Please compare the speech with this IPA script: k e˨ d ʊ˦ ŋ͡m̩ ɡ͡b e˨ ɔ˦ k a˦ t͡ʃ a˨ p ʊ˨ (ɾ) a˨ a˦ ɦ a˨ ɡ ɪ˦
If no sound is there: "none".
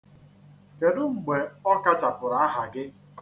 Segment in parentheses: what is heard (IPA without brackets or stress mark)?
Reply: ɾ